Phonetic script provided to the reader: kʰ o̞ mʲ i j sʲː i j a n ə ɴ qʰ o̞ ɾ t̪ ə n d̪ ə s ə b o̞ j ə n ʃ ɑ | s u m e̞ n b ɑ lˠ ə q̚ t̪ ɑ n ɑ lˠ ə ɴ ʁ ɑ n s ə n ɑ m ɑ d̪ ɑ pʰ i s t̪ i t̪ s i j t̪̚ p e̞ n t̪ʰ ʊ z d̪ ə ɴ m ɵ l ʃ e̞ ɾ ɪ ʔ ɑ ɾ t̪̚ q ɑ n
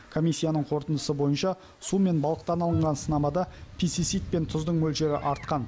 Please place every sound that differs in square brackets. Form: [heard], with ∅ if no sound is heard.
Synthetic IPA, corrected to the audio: kʰ o̞ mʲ i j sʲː i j a n ə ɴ qʰ o̞ ɾ t̪ ə n d̪ ə s ə b o̞ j ə n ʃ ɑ | s u m e̞ n b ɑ lˠ ə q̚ t̪ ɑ n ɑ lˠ ə ɴ ʁ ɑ n s ə n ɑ m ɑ d̪ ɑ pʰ i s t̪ i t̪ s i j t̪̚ p e̞ n t̪ʰ ʊ z d̪ ə ɴ m ɵ l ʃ e̞ ɾ ɪ ʔ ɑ ɾ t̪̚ q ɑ n